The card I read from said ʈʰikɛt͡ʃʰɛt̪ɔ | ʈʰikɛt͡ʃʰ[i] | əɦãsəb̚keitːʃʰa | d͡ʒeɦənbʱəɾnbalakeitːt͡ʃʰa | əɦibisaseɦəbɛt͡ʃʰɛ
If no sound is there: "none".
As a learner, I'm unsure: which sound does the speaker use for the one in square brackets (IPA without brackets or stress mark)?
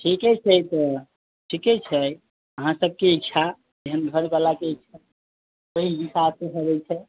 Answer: ɛ